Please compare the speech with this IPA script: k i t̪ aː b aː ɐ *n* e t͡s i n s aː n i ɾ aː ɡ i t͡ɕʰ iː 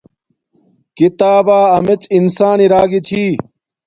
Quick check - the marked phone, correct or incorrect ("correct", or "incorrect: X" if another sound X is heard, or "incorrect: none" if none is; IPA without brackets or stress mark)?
incorrect: m